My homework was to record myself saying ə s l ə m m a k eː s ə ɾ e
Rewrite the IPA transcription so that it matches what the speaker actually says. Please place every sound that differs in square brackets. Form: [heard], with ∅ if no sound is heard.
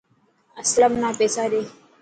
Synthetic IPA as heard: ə s l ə m [n] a [p] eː s [a] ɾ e